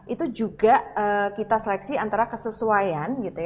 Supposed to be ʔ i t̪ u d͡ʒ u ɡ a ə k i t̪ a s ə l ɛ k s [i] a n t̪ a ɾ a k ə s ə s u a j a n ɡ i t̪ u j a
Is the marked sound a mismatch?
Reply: no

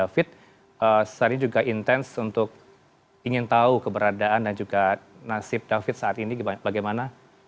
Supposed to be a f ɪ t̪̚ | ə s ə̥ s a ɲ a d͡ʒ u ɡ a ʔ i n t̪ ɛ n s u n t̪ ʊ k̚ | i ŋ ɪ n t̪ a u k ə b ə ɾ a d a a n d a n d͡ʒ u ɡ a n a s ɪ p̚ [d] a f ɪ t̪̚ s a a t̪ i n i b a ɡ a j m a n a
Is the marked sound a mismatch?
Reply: no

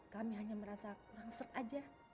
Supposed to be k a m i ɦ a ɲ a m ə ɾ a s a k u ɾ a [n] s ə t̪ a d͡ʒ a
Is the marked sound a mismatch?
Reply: yes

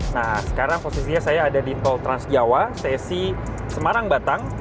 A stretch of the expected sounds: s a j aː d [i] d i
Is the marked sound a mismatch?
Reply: yes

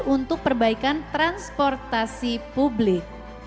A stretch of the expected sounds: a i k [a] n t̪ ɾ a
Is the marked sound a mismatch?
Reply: no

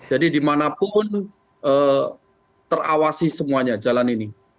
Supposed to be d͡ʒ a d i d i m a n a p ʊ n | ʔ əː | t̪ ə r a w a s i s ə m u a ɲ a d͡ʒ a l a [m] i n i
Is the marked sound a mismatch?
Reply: yes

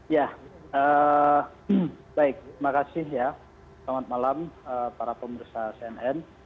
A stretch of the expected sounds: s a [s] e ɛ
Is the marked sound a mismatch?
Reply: no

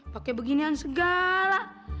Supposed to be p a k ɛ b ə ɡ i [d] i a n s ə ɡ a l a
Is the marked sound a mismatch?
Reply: yes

